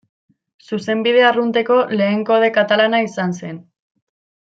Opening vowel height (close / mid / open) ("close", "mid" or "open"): close